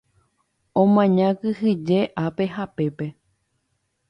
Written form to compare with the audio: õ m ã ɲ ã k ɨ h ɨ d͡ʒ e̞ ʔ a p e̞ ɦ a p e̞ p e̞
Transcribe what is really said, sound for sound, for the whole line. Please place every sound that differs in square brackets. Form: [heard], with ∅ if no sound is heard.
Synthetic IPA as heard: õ m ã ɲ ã k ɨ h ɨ d͡ʒ e̞ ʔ a p e̞ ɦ a p e̞ p e̞